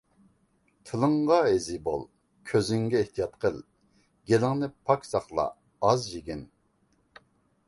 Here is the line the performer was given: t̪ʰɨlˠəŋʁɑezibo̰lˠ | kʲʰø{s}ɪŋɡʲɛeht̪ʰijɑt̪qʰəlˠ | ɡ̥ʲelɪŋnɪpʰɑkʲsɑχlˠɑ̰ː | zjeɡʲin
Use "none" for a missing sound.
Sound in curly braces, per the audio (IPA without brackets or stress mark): z